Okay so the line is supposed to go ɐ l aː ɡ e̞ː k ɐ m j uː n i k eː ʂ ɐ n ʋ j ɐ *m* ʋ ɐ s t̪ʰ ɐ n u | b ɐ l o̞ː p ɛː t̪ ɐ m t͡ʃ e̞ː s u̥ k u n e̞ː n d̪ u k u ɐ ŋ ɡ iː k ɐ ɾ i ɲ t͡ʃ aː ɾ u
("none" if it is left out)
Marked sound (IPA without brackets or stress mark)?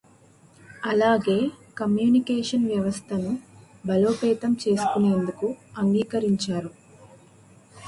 none